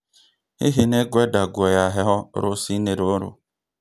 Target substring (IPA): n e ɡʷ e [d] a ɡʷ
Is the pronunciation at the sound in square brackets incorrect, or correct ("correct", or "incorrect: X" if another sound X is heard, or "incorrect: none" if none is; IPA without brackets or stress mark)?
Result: correct